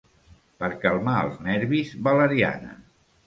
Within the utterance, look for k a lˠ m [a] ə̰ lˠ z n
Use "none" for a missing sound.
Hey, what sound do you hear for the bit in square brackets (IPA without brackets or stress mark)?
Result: a